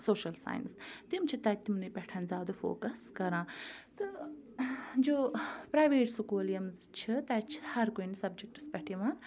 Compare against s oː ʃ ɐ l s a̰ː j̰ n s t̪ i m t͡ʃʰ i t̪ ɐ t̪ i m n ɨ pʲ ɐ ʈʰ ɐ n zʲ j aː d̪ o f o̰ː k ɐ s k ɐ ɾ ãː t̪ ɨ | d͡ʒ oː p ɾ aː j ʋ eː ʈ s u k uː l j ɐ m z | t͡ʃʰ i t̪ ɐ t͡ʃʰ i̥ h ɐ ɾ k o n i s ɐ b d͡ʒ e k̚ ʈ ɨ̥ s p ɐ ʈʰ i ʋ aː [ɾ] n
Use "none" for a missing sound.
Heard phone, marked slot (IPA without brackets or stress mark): none